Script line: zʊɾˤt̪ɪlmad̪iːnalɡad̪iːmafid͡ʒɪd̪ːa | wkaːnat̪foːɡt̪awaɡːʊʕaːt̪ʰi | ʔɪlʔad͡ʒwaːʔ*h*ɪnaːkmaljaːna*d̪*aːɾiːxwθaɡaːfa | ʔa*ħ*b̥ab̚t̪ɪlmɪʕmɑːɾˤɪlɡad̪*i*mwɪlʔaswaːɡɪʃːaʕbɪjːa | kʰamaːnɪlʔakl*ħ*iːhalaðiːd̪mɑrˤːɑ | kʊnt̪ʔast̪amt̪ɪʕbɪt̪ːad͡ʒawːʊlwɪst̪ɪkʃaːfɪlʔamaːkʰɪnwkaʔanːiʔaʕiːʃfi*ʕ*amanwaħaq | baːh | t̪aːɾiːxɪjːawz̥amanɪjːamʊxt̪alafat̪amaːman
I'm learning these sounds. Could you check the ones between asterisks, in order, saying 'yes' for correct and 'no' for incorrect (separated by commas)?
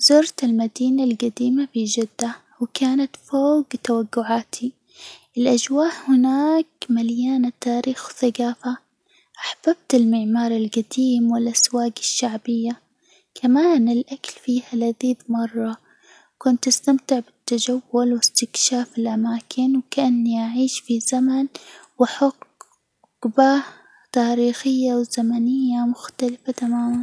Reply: yes, no, yes, no, no, no